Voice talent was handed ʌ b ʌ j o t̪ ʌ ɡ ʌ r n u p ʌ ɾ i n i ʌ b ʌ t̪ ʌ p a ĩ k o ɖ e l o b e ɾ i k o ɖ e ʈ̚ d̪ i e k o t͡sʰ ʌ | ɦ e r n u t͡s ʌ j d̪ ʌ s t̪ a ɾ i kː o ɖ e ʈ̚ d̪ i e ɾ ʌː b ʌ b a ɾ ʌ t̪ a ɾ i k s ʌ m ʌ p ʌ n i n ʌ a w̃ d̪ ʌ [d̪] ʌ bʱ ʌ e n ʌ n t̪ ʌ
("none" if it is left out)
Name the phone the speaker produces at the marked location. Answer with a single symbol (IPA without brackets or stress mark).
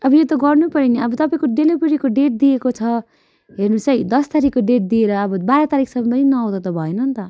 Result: t̪